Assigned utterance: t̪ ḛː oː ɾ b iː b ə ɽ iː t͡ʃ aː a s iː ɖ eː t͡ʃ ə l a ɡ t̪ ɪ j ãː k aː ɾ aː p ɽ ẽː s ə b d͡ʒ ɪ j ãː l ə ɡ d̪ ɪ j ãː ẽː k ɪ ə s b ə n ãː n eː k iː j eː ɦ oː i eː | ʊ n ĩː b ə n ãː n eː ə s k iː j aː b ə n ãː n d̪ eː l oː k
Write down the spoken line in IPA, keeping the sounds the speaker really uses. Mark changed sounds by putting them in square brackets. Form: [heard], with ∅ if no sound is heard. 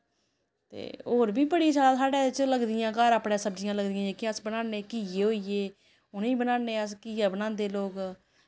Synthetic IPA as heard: t̪ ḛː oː ɾ b iː b ə ɽ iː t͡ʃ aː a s [aː] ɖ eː t͡ʃ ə l [ə] ɡ [d̪] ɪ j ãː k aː ɾ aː p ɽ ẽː s ə b d͡ʒ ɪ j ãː l ə ɡ d̪ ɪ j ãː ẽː k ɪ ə s b ə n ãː n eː k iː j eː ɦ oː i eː | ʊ n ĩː b ə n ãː n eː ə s k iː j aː b ə n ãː n d̪ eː l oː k

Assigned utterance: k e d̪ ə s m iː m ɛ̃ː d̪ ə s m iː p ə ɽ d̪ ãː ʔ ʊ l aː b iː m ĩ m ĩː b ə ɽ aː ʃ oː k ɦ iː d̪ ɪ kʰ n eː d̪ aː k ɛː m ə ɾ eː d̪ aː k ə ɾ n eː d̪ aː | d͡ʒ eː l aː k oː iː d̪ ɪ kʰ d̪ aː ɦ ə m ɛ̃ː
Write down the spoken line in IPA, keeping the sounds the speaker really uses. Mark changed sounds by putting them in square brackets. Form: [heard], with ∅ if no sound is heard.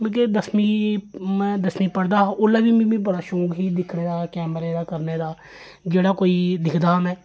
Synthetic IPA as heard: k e d̪ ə s m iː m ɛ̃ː d̪ ə s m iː p ə ɽ d̪ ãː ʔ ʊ l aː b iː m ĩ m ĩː b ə ɽ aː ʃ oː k ɦ iː d̪ ɪ kʰ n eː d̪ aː k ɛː m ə ɾ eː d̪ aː k ə ɾ n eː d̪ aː | d͡ʒ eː [ɽ] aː k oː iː d̪ ɪ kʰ d̪ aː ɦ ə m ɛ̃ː

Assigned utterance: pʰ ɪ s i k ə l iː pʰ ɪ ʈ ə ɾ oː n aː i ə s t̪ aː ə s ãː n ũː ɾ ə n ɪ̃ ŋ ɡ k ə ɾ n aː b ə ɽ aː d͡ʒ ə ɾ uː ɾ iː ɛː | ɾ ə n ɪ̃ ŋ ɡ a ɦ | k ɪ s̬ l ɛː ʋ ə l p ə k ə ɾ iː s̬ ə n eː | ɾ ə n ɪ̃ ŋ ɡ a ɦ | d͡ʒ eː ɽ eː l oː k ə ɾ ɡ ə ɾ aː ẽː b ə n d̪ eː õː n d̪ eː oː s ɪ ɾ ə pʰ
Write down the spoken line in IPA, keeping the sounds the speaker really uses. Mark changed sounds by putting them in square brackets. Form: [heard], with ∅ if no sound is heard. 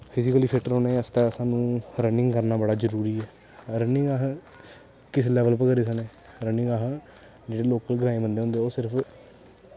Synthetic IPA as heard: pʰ ɪ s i k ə l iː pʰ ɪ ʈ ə ɾ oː n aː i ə s t̪ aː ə s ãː n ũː ɾ ə n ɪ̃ ŋ ɡ k ə ɾ n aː b ə ɽ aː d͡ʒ ə ɾ uː ɾ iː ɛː | ɾ ə n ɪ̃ ŋ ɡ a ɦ | k ɪ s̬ l ɛː ʋ ə l p ə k ə ɾ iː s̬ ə n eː | ɾ ə n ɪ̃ ŋ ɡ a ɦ | d͡ʒ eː ɽ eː l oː k ə [l] ɡ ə ɾ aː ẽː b ə n d̪ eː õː n d̪ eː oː s ɪ ɾ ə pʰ

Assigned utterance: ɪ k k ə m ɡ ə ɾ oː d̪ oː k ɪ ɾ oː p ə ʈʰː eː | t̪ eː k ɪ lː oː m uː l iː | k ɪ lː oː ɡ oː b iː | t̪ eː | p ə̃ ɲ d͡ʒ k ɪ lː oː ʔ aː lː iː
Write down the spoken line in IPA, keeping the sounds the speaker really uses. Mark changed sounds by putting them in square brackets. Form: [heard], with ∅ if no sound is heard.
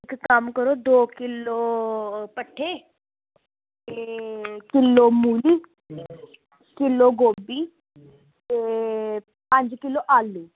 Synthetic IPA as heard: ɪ k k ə m [k] ə ɾ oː d̪ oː k ɪ [l] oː p ə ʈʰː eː | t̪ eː k ɪ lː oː m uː l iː | k ɪ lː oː ɡ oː b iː | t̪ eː | p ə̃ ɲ d͡ʒ k ɪ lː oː ʔ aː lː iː

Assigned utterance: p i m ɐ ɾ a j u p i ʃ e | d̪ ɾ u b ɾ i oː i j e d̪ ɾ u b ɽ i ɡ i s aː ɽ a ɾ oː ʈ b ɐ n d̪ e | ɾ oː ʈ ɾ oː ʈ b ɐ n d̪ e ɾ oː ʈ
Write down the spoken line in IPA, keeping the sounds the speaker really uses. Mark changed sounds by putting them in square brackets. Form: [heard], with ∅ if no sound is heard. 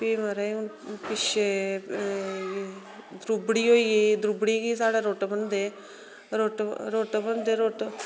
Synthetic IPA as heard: p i m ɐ ɾ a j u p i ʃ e | d̪ ɾ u b [ɽ] i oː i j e d̪ ɾ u b ɽ i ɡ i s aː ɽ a ɾ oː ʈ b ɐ n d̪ e | ɾ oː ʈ ɾ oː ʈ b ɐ n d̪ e ɾ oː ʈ

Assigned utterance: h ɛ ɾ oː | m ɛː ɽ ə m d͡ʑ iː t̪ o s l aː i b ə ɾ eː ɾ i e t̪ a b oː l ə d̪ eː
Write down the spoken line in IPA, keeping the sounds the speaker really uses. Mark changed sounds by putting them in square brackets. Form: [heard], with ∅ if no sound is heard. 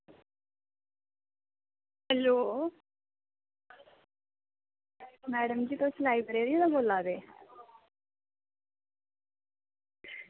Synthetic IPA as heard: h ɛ [l] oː | m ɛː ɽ ə m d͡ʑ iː t̪ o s l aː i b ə ɾ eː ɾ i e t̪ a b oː l [a] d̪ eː

